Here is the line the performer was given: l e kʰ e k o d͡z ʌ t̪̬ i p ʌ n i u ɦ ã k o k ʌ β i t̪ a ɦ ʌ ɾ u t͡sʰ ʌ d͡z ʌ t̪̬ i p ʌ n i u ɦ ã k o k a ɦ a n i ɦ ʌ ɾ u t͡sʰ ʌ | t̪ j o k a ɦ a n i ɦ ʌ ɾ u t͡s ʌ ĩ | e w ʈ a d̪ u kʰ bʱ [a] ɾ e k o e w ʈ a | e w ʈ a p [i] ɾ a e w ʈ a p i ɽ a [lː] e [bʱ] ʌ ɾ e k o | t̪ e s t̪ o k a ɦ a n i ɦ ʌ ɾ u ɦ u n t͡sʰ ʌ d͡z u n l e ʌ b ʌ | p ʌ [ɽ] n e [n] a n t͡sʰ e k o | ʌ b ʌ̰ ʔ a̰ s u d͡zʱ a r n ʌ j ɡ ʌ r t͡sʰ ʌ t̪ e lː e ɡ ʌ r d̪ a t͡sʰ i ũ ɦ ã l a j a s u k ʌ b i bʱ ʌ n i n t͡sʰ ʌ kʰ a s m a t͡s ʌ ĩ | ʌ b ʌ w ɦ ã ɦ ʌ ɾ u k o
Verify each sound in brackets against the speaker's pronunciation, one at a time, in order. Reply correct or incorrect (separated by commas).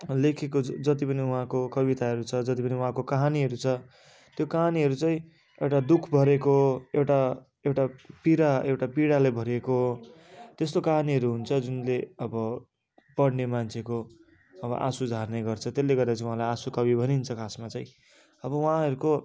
incorrect, correct, incorrect, correct, correct, incorrect